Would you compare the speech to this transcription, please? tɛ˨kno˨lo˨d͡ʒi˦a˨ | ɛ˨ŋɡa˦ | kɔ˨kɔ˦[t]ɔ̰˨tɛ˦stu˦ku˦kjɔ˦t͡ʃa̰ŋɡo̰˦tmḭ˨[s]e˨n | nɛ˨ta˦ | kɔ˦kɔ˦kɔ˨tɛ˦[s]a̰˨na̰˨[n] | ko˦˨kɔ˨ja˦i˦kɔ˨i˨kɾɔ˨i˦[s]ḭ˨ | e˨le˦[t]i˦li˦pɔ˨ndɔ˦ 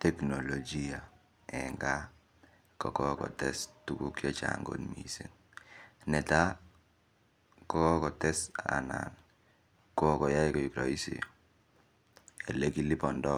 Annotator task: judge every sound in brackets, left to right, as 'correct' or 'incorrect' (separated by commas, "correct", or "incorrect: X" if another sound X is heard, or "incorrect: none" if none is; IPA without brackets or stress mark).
incorrect: k, correct, correct, correct, correct, incorrect: k